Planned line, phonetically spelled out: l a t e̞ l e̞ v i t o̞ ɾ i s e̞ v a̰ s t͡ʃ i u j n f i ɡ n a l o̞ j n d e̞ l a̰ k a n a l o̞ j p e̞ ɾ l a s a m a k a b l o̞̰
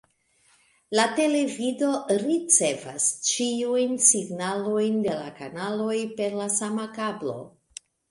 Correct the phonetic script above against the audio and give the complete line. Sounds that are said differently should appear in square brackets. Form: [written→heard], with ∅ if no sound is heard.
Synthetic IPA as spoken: l a t e̞ l e̞ v i [t→d] o̞ ɾ i [s→t͡s] e̞ v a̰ s t͡ʃ i u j n [f→s] i ɡ n a l o̞ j n d e̞ l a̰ k a n a l o̞ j p e̞ ɾ l a s a m a k a b l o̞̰